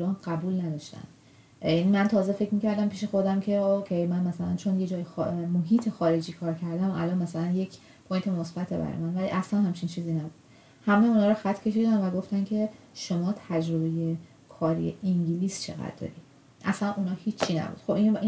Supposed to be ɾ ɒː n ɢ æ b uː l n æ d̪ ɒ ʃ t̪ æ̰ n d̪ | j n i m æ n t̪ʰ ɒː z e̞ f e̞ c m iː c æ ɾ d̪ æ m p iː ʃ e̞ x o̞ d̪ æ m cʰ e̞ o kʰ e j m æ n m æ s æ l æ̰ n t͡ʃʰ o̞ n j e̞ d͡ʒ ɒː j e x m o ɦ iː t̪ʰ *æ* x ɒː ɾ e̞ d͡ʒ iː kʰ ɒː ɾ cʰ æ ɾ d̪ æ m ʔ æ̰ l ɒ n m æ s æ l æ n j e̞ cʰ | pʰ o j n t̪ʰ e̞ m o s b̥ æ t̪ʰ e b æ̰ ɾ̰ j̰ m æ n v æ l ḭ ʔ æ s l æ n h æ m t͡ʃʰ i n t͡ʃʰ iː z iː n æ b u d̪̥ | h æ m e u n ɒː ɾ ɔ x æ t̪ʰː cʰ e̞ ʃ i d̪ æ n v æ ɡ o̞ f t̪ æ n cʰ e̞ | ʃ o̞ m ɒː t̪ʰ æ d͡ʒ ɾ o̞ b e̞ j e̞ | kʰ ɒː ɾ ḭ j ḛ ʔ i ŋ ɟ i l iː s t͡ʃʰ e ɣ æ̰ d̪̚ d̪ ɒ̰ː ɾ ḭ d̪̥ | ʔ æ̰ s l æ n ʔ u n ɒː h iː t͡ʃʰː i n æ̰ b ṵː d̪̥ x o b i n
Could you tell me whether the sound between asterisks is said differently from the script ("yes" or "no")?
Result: yes